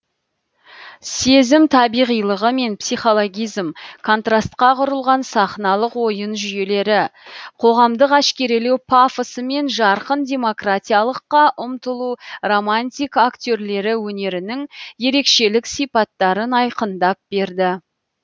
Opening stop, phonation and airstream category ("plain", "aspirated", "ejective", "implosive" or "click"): aspirated